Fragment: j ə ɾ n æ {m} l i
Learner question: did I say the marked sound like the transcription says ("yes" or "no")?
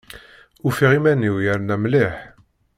yes